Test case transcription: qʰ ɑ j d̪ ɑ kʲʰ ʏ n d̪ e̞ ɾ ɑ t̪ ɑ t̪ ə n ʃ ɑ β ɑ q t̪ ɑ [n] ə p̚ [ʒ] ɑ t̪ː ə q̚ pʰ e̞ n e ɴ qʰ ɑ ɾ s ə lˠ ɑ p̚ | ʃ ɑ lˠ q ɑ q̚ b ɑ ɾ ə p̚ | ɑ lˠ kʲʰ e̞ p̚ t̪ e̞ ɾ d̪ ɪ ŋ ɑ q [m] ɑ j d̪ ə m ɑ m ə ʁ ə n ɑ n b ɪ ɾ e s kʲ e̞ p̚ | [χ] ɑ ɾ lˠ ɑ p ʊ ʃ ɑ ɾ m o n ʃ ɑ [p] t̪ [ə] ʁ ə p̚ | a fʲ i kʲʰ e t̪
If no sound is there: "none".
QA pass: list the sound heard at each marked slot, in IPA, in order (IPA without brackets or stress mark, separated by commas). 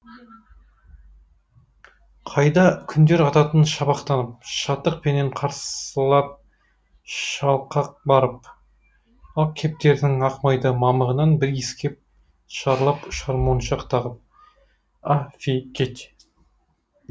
n, ʃ, m, ʃ, q, ɑ